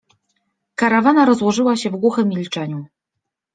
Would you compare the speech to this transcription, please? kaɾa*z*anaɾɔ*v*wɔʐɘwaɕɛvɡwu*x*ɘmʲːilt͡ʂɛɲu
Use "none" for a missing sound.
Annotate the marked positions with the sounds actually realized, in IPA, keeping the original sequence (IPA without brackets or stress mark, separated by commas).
v, z, x